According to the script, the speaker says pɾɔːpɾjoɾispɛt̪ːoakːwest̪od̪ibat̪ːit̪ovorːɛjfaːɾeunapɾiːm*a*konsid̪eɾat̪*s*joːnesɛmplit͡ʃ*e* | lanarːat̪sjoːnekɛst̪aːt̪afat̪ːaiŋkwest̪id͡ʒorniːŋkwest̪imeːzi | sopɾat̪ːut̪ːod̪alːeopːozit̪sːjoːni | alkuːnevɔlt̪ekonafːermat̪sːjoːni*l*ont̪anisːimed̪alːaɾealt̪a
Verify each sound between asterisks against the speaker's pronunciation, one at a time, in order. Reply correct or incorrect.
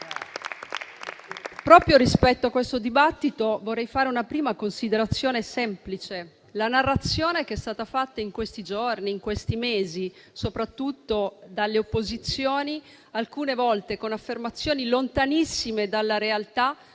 correct, incorrect, correct, correct

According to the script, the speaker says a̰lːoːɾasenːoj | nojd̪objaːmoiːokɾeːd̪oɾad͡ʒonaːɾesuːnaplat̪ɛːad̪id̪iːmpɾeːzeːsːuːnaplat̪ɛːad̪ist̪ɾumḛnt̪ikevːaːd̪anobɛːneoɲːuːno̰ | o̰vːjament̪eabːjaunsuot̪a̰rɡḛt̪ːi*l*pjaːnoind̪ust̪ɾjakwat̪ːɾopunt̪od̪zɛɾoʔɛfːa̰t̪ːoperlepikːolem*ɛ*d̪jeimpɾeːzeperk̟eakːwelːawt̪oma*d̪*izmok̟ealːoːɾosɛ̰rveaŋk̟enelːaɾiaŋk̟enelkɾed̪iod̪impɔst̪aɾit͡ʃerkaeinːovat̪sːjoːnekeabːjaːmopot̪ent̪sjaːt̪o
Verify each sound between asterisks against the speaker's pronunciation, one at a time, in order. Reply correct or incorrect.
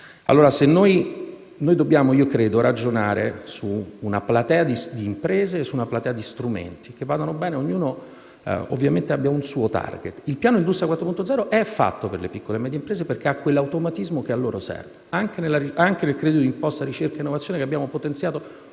correct, correct, incorrect

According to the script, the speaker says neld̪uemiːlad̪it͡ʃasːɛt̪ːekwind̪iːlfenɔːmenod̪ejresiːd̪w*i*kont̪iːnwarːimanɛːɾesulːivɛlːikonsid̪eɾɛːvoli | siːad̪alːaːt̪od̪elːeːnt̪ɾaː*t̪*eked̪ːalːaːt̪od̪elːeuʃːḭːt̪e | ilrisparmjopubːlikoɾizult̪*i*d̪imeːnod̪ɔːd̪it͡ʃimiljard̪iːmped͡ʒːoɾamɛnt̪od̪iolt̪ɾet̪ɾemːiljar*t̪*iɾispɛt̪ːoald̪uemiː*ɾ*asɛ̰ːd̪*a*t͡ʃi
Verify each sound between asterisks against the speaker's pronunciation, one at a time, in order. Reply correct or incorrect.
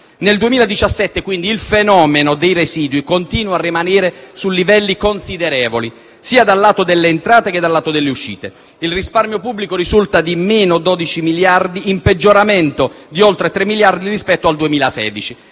correct, correct, incorrect, incorrect, incorrect, incorrect

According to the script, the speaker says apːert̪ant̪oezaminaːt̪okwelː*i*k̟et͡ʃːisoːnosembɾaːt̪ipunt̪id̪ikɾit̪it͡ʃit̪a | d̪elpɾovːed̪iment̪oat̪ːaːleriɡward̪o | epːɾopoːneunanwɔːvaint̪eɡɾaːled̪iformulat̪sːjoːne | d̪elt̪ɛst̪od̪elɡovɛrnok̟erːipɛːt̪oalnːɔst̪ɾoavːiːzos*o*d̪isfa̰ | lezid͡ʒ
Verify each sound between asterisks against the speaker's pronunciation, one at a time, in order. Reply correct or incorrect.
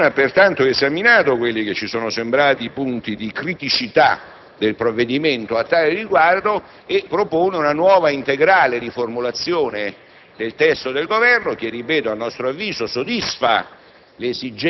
correct, correct

